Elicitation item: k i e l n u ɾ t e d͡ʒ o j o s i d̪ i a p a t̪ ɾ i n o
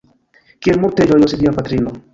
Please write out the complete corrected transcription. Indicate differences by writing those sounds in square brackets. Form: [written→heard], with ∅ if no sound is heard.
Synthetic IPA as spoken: k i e l [n→m] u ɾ t e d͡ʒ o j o s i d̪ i a p a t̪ ɾ i n o